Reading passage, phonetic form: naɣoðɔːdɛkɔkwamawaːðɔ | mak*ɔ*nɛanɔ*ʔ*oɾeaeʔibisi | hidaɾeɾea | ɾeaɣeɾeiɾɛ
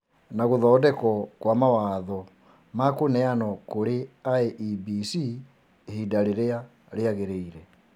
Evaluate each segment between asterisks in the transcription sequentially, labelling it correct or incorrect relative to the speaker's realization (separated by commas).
incorrect, incorrect